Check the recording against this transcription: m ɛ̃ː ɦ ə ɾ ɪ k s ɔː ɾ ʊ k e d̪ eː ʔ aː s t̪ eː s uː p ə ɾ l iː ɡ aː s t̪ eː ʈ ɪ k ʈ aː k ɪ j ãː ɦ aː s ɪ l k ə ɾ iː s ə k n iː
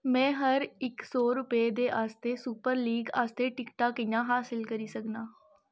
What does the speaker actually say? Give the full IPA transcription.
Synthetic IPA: m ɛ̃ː ɦ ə ɾ ɪ k s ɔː ɾ ʊ p e d̪ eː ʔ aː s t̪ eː s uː p ə ɾ l iː ɡ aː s t̪ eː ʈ ɪ k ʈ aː k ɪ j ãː ɦ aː s ɪ l k ə ɾ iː s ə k n aː